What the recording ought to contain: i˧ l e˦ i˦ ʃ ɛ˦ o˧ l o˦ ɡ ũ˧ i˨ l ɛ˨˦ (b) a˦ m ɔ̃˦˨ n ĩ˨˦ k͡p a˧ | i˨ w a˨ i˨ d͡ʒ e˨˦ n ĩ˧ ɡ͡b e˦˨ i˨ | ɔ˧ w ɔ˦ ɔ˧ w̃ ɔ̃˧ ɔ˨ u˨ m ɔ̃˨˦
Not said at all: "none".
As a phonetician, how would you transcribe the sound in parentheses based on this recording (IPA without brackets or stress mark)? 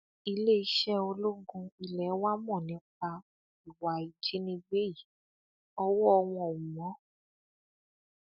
w